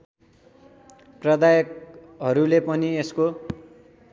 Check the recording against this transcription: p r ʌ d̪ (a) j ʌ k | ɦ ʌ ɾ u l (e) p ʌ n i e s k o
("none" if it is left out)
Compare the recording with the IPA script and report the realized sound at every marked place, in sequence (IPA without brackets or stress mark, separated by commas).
a, e